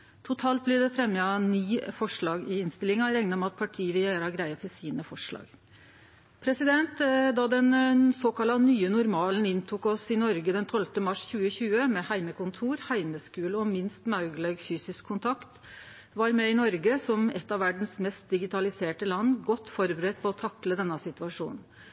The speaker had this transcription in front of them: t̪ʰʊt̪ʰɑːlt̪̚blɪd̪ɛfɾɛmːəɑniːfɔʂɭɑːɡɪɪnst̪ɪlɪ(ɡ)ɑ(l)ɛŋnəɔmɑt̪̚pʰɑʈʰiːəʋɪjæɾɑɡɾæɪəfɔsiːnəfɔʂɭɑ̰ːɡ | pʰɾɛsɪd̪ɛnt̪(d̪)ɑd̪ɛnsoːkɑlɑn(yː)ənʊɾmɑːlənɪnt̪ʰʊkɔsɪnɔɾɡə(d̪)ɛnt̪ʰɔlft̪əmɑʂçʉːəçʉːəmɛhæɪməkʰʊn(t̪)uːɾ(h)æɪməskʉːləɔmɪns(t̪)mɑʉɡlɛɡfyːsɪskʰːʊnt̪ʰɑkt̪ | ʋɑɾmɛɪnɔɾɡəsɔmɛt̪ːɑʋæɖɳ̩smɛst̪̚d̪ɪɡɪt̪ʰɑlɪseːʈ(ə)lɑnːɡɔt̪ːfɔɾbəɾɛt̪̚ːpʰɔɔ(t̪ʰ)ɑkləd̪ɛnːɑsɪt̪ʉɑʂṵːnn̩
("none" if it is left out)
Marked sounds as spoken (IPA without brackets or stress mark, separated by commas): ŋ, ɾ, d̪, yː, d̪, t̪ʰ, h, t̪, ə, t̪ʰ